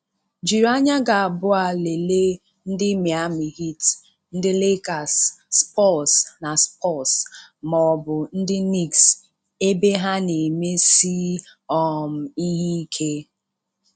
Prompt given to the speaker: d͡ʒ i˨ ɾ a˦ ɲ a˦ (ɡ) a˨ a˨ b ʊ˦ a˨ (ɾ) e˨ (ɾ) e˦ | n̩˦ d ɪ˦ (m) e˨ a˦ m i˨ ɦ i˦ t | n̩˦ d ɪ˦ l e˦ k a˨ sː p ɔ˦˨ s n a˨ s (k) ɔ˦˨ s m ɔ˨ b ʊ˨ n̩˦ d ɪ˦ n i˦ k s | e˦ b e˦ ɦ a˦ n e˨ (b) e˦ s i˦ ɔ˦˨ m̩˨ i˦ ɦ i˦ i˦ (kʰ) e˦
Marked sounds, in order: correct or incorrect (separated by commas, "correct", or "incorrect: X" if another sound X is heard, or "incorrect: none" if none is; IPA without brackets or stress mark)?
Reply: correct, incorrect: l, incorrect: l, correct, incorrect: p, incorrect: m, correct